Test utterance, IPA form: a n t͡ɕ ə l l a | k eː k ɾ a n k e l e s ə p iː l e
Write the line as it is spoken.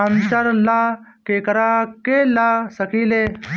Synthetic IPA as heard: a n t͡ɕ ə ɾ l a | k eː k ɾ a k e l a s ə k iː l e